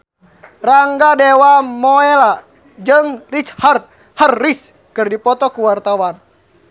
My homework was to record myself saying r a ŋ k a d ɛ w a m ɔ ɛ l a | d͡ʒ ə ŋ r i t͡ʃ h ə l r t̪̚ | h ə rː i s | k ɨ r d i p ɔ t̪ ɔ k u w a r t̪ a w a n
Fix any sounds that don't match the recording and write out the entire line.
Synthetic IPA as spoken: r a ŋ ɡ a d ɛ w a m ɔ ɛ l a | d͡ʒ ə ŋ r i t͡ʃ h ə r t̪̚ | h ə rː i s | k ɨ r d i p ɔ t̪ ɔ k u w a r t̪ a w a n